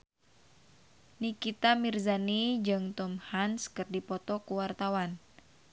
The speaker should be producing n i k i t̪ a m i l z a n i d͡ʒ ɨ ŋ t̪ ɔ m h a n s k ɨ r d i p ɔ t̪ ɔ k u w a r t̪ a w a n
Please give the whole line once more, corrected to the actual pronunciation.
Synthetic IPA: n i k i t̪ a m i r z a n i d͡ʒ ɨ ŋ t̪ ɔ m h a n s k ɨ r d i p ɔ t̪ ɔ k u w a r t̪ a w a n